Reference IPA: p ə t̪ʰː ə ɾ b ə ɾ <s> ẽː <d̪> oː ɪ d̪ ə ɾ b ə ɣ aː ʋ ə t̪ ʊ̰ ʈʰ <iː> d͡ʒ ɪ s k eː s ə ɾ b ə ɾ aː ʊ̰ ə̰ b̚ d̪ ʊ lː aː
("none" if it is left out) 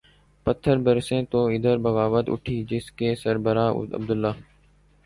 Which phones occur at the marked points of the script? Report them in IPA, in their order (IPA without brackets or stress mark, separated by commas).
s, t̪, iː